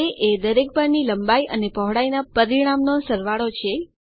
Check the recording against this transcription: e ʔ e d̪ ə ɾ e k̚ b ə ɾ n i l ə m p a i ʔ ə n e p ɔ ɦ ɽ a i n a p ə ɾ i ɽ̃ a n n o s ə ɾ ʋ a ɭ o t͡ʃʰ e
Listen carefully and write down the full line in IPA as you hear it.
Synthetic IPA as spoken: e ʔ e d̪ ə ɾ e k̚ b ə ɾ n i l ə m b a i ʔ ə n e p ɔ ɦ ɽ a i n a p ə ɾ i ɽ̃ a m n o s ə ɾ ʋ a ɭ o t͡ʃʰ e

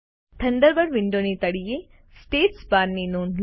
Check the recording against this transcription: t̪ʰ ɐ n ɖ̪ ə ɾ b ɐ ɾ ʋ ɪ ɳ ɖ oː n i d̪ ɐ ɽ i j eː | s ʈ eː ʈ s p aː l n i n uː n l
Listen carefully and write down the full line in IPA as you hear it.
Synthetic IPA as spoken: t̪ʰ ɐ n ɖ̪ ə ɾ b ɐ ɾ ʋ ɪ ɳ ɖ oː n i t̪ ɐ ɽ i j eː | s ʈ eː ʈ s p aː ɾ n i n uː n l

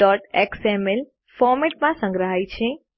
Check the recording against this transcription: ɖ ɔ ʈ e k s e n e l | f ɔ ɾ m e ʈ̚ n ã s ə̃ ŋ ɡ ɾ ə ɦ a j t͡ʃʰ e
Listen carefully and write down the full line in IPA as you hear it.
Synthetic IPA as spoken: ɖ ɔ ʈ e k s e m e l | f ɔ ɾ m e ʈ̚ m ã s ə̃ ŋ ɡ ɾ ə ɦ a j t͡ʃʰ e

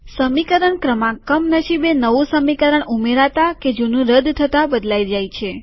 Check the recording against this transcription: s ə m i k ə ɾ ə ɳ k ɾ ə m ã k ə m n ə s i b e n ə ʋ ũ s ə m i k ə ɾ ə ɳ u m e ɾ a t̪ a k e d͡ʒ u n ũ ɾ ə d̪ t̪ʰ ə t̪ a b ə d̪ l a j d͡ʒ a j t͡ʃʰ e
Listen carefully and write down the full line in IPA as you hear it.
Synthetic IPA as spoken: s ə m i k ə ɾ ə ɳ k ɾ ə m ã k ə m n ə ʃ i b e n ə ʋ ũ s ə m i k ə ɾ ə ɳ u m e ɾ a t̪ a k e d͡ʒ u n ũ ɾ ə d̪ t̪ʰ ə t̪ a b ə d̪ l a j d͡ʒ a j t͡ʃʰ e

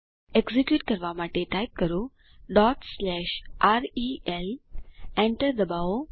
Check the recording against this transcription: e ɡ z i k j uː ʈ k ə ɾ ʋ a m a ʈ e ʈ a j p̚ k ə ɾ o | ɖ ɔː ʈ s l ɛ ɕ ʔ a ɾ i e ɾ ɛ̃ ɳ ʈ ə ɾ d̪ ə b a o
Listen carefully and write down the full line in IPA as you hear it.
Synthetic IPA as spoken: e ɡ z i k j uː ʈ k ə ɾ ʋ a m a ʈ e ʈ a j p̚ k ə ɾ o | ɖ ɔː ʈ s l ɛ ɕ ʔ a ɾ i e l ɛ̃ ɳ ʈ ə ɾ d̪ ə b a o

